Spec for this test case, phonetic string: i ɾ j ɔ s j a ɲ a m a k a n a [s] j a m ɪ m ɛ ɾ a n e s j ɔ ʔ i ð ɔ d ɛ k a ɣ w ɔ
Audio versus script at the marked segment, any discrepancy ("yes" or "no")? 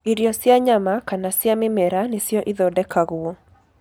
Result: no